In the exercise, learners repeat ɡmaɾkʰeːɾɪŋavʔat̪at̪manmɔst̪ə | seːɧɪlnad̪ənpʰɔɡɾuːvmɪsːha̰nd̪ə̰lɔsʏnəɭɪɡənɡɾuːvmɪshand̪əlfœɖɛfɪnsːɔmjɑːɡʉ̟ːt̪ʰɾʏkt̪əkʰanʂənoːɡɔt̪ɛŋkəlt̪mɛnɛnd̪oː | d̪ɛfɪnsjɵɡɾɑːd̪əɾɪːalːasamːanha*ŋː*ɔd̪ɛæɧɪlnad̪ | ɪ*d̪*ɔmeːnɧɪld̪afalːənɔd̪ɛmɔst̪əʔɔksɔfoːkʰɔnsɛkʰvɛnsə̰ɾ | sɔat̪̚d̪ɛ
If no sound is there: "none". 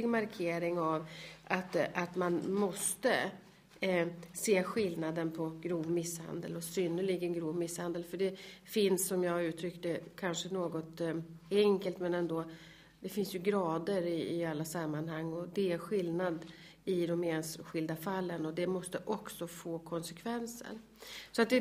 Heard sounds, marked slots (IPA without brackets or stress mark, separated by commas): ŋː, d̪